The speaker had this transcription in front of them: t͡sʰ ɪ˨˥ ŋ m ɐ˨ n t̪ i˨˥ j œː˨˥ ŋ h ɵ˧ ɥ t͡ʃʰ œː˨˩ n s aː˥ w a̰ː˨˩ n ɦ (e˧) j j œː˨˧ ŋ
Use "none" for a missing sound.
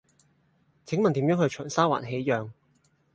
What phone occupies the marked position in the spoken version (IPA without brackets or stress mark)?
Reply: e˨˥